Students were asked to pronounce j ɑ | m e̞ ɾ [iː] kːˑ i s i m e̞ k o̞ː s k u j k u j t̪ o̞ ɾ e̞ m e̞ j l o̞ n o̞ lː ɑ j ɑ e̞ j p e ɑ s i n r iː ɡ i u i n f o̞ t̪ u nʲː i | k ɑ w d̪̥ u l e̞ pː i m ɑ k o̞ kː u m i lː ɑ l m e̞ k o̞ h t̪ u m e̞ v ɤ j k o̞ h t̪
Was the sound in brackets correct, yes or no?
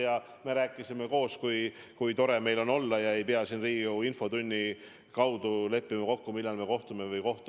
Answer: no